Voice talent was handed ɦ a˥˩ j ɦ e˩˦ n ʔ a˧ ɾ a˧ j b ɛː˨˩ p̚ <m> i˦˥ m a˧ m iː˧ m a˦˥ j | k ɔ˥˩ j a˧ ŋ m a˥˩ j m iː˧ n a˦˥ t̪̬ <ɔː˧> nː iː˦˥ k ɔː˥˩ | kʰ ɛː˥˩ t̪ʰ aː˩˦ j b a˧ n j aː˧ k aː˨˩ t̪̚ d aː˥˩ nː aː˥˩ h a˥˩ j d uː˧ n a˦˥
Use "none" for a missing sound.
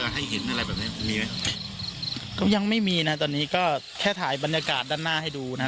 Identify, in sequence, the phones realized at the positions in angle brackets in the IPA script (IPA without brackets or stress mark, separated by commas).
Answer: n, ɔː˧